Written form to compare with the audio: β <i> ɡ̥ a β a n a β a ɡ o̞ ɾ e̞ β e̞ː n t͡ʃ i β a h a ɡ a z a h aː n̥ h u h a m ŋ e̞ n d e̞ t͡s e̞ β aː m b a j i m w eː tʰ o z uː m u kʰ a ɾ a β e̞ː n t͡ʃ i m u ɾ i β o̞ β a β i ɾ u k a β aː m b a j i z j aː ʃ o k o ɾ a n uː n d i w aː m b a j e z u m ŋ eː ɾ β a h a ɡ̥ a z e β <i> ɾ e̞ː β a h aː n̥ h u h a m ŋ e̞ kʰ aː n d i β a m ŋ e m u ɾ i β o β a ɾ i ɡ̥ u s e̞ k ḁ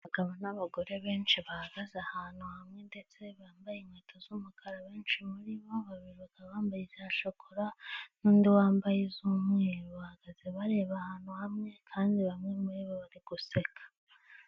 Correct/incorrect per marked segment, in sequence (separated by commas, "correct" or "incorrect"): incorrect, incorrect